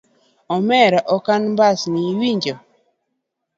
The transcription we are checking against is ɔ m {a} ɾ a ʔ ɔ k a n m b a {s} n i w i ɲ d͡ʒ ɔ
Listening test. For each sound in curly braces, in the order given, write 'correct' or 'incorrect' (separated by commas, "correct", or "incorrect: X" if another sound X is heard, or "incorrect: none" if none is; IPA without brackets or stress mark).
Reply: incorrect: ɛ, correct